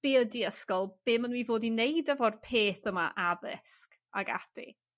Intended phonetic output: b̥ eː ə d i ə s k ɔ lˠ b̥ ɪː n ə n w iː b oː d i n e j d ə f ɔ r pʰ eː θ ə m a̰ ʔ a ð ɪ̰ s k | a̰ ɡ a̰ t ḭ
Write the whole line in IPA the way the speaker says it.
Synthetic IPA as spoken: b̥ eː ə d i ə s k ɔ lˠ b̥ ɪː m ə n w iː v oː d i n e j d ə v ɔ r pʰ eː θ ə m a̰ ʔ a ð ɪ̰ s k | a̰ ɡ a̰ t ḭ